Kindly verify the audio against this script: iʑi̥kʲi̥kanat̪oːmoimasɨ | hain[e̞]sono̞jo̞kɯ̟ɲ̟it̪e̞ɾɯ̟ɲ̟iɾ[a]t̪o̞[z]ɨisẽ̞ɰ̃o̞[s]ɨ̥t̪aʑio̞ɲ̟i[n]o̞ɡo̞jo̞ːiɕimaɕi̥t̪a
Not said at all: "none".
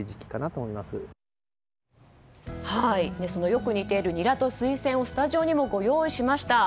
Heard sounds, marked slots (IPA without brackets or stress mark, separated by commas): e̞, a, s, s, m